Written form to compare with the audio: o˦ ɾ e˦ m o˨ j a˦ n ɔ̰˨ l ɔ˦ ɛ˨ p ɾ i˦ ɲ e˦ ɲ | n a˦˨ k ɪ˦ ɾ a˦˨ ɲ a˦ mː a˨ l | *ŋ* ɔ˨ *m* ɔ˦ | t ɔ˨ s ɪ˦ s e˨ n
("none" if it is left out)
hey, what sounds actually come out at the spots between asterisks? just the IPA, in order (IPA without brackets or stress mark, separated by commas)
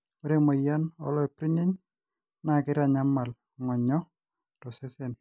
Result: ŋ, ɲ